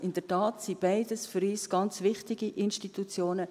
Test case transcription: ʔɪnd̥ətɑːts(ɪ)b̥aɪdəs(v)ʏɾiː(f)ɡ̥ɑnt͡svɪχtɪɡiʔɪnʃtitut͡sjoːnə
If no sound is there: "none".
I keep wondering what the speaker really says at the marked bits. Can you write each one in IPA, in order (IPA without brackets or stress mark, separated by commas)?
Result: i, f, s